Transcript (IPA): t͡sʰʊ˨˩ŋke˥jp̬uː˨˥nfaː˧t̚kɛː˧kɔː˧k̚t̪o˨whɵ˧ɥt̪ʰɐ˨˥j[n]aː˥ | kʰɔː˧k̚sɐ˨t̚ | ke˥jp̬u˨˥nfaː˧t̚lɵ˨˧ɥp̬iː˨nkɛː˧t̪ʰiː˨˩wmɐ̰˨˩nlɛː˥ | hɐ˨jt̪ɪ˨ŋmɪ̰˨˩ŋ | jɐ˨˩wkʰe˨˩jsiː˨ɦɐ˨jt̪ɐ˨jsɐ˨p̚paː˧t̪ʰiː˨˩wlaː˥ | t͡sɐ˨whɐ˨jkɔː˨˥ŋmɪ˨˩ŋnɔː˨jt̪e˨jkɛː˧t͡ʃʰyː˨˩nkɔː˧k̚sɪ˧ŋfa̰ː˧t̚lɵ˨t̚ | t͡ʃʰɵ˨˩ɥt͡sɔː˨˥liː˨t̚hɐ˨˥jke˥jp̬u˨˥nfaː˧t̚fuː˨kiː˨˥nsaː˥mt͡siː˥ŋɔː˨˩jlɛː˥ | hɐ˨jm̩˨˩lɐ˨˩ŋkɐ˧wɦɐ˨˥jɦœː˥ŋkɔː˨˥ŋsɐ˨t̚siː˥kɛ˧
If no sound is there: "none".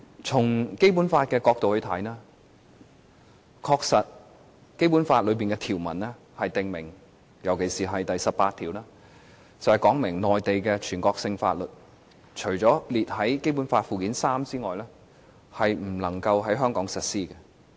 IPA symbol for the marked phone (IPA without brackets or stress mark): n